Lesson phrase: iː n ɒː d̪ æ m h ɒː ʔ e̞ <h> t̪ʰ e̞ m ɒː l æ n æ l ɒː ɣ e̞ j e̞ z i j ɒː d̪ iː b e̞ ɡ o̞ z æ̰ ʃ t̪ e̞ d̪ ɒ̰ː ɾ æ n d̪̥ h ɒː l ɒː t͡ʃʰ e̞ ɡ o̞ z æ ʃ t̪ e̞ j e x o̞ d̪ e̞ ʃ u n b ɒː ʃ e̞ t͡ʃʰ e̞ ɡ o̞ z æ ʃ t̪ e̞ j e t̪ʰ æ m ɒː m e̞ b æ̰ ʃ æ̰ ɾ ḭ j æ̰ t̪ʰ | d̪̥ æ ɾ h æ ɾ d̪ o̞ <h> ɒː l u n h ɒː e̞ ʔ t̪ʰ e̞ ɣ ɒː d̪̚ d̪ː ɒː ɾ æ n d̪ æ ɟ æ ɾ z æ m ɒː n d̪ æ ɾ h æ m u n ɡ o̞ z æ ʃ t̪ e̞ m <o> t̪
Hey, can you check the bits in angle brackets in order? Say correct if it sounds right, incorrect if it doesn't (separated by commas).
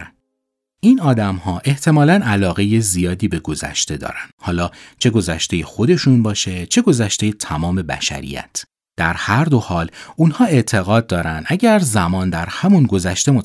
correct, correct, correct